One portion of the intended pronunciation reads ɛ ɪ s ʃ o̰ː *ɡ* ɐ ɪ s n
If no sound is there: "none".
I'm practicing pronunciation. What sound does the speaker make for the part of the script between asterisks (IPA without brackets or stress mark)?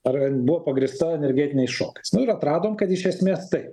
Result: k